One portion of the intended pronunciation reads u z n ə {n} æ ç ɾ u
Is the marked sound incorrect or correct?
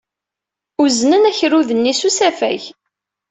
correct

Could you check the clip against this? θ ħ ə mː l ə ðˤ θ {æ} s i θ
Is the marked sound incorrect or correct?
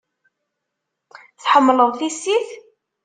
incorrect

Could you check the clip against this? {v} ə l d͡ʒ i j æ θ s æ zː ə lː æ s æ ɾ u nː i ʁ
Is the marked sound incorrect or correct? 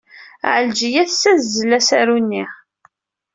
incorrect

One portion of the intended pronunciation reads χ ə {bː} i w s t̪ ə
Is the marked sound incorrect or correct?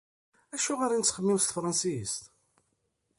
incorrect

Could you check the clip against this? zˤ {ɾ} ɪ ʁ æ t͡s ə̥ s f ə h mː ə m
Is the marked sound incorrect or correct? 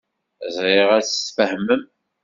correct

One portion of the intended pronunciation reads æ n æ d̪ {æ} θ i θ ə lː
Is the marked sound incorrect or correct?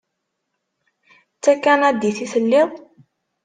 incorrect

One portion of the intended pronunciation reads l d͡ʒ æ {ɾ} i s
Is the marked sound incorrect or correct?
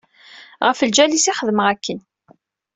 incorrect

